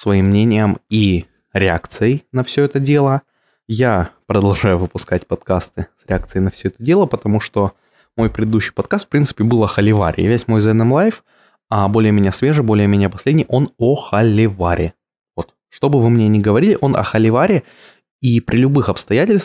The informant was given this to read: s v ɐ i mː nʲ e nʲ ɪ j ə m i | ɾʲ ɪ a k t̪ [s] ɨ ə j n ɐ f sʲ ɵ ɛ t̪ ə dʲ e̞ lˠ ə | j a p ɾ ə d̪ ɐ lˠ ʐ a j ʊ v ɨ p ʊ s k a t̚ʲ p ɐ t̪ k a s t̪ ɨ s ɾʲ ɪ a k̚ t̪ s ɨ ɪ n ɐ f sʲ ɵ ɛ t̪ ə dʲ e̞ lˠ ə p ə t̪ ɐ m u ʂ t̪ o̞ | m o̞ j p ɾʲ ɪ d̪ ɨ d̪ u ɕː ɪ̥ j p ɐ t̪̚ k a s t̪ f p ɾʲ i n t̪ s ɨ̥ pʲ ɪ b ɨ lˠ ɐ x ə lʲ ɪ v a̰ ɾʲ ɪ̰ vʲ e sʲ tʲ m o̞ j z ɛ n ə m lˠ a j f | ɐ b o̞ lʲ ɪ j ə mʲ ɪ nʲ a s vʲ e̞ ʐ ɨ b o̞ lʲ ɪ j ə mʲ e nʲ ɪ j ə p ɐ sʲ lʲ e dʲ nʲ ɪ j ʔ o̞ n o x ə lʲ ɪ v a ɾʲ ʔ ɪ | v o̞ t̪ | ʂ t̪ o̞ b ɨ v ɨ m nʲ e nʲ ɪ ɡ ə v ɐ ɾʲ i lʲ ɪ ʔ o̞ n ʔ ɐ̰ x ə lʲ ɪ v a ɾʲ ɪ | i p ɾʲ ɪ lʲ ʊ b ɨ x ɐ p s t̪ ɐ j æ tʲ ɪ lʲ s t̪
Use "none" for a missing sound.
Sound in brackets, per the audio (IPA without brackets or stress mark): s